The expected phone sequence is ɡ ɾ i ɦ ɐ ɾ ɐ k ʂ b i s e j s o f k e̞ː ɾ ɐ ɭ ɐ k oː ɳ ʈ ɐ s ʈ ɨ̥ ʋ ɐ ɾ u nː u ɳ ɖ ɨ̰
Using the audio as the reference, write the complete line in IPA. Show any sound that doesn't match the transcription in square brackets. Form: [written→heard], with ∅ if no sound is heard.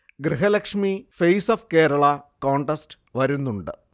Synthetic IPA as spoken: ɡ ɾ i ɦ ɐ [ɾ→l] ɐ k ʂ [b→m] i [s→f] e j s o f k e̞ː ɾ ɐ ɭ ɐ k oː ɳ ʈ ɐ s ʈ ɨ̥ ʋ ɐ ɾ u nː u ɳ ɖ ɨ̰